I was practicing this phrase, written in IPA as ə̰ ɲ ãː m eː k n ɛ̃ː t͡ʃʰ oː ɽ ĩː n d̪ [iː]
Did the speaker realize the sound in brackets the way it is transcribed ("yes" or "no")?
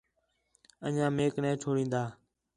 no